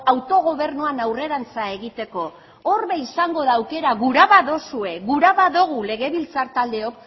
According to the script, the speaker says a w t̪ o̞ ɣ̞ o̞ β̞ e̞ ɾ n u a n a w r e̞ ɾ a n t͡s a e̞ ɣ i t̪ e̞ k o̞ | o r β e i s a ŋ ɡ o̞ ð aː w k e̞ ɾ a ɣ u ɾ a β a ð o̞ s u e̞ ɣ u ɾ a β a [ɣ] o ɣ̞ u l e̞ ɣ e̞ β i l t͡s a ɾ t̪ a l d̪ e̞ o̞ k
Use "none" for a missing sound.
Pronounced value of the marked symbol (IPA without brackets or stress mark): ð